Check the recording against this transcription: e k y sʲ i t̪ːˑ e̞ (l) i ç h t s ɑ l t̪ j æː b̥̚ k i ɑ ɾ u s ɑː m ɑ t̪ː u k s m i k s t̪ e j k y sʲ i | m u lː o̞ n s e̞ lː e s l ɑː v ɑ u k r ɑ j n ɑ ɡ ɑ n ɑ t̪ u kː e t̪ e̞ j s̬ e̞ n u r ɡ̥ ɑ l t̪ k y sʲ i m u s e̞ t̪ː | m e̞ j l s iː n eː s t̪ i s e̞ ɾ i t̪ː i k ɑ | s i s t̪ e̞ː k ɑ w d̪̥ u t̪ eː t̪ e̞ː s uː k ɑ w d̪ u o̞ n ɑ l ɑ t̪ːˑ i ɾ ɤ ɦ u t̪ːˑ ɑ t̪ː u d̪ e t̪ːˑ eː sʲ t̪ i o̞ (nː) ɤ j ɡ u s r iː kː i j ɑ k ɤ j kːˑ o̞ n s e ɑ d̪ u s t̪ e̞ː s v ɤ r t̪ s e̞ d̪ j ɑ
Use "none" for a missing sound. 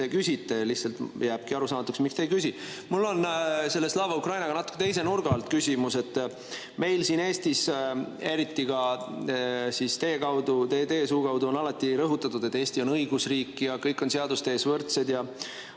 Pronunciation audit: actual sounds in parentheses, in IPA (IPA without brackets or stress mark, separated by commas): l, n